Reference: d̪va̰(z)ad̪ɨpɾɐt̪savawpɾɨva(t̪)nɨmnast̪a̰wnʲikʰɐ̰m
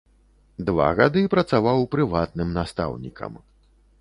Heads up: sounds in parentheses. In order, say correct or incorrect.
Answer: incorrect: ɣ, correct

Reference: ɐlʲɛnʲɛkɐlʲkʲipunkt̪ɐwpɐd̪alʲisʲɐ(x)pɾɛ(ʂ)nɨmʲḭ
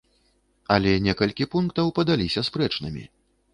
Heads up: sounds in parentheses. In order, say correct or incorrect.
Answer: incorrect: s, incorrect: t͡ʂ

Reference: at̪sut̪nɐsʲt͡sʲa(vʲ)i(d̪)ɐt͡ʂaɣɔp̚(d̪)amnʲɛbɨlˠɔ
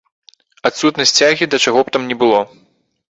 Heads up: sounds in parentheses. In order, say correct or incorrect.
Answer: incorrect: ɣʲ, correct, incorrect: t̪

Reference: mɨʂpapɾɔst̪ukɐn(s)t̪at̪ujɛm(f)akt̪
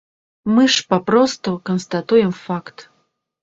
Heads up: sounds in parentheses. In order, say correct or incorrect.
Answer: correct, correct

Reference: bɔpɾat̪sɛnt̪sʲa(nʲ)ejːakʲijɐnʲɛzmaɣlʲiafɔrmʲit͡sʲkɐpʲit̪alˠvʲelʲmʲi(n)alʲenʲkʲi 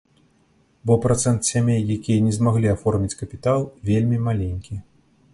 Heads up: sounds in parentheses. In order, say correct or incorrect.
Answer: incorrect: mʲ, incorrect: m

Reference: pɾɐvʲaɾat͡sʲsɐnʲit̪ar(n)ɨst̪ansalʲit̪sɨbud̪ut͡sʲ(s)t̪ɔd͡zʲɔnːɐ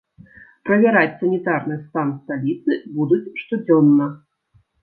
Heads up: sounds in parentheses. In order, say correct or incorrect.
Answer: correct, incorrect: ʂ

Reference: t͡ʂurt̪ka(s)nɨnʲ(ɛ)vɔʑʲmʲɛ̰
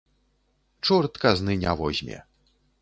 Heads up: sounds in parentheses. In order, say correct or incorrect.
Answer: incorrect: z, incorrect: a

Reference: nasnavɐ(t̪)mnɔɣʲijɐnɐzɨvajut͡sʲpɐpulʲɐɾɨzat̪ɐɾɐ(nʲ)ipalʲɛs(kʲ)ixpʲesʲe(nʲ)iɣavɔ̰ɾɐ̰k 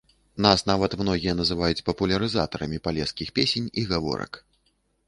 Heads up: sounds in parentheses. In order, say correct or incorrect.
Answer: correct, incorrect: mʲ, correct, correct

